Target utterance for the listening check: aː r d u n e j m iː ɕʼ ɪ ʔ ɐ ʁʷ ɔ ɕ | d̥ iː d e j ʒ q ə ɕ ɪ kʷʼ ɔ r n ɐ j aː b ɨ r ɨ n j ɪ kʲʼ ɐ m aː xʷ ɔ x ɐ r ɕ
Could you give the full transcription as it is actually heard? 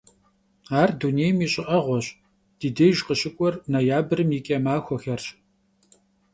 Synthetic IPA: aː r d u n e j m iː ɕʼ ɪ ʔ ɐ ʁʷ ɔ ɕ | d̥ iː d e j ʒ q ə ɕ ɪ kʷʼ ɔ r n ɐ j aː b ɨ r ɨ m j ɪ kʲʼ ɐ m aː xʷ ɔ x ɐ r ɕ

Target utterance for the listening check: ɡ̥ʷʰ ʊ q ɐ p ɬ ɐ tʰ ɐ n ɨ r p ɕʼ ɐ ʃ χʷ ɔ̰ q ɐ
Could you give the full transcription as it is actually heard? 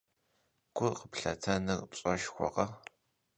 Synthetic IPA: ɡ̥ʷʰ ʊ q ə p ɬ ɐ tʰ ɐ n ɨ r p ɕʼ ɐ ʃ xʷ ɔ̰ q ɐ

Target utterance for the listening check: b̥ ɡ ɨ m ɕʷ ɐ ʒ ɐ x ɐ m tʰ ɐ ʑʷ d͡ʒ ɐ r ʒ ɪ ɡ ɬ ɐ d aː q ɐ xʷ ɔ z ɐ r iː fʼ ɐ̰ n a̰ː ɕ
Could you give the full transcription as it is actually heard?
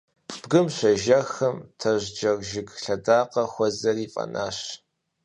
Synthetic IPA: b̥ ɡ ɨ m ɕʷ ɐ ʒ ɐ x ɐ m tʰ ɐ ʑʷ d͡ʒ ɐ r ʒ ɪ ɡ ɬ ɐ d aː q ɐ xʷ ɔ z ɐ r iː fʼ ɐ̰ n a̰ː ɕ

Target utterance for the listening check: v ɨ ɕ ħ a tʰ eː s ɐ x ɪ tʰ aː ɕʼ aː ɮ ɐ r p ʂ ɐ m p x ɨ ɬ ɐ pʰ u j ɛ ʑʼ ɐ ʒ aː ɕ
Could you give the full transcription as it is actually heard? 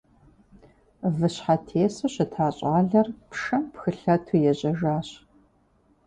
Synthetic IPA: v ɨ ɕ ħ a tʰ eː s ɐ ɕ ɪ tʰ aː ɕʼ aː ɮ ɐ r p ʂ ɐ m p x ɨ ɬ ɐ tʰ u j ɛ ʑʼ ɐ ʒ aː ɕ

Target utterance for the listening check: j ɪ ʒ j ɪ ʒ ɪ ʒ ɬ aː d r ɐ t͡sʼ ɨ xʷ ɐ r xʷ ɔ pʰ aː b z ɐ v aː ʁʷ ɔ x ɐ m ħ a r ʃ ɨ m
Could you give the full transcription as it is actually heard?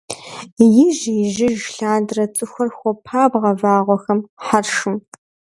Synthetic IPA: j ɪ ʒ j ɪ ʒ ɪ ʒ ɬ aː d r ɐ t͡sʼ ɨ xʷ ɐ r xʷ ɔ pʰ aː b ʁ ɐ v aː ʁʷ ɔ x ɐ m ħ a r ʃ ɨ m

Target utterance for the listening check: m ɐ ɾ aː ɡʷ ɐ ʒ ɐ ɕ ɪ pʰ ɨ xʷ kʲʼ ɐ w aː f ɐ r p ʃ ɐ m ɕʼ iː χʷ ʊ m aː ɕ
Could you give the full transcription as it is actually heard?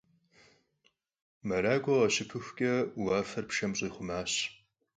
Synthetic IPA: m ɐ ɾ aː ɡʷ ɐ ʁ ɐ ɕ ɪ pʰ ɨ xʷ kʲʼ ɐ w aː f ɐ r p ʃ ɐ m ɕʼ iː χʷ ʊ m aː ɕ

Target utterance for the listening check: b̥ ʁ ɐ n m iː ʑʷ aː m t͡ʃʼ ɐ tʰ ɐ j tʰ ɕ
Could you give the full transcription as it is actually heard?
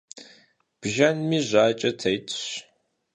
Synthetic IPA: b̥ ʒ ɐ n m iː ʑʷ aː t͡ʃʼ ɐ tʰ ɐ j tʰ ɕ

